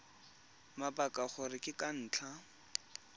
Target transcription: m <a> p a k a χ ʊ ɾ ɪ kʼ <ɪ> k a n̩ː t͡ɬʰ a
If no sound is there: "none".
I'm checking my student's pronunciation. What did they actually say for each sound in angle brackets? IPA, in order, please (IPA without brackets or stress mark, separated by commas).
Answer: a, ɪ